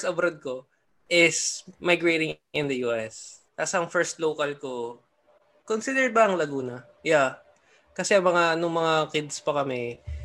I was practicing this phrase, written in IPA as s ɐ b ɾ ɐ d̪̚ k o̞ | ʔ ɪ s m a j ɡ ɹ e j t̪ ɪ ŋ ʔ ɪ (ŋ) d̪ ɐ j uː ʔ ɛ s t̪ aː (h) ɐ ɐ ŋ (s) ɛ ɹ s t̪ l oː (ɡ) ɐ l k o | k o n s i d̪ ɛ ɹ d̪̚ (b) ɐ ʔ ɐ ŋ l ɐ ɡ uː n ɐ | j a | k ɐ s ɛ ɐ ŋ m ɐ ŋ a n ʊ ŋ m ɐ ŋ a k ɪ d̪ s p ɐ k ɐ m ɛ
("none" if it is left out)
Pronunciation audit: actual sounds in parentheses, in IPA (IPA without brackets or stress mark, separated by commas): n, s, f, k, b